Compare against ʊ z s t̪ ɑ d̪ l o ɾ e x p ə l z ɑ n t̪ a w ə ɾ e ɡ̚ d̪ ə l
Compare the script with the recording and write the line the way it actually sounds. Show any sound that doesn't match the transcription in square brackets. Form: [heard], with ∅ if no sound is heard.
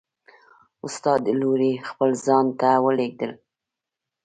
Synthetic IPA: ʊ [∅] s t̪ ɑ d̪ l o ɾ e x p ə l z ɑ n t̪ a w ə [l] e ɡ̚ d̪ ə l